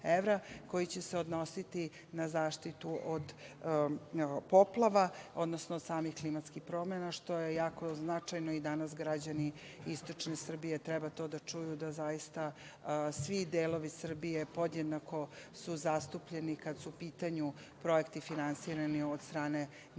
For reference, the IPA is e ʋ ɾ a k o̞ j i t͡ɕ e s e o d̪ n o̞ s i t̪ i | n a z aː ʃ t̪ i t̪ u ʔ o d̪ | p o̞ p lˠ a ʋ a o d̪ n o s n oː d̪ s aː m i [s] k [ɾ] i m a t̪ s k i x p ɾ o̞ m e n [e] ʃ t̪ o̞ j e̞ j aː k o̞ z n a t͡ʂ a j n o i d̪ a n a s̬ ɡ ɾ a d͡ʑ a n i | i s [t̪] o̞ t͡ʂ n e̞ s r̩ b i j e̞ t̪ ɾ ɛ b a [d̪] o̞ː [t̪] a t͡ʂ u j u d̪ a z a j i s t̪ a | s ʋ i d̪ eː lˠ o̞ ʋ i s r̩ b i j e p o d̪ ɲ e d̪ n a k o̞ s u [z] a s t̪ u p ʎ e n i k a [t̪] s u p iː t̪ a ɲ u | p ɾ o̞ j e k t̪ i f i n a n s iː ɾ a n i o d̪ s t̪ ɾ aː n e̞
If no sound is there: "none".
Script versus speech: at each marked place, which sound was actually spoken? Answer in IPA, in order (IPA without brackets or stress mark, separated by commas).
x, l, a, t̪, t̪, d̪, z, d̪